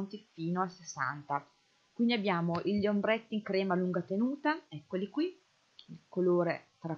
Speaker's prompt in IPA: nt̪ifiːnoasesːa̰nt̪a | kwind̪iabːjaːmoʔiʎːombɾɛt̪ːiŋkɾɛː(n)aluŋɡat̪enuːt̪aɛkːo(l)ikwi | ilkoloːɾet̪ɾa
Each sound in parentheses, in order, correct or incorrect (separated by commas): incorrect, correct